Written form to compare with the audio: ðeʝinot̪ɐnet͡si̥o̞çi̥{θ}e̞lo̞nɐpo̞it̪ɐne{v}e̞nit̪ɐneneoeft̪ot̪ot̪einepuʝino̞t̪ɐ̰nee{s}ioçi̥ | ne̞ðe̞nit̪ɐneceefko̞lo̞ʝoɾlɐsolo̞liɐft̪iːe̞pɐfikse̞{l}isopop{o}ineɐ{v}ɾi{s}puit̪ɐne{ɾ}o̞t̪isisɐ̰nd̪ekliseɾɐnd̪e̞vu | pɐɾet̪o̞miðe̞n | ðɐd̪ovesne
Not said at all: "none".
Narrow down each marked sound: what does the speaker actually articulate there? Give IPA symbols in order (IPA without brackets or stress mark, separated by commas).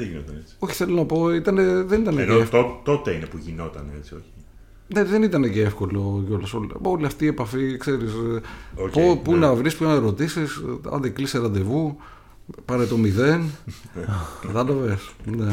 θ, ð, t͡s, ɾ, u, v, s, ɾ